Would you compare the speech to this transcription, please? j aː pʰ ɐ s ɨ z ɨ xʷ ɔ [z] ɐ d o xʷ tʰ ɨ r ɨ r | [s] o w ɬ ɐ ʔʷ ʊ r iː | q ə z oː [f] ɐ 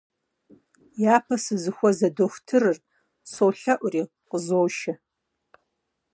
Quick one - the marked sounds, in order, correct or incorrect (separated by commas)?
correct, correct, incorrect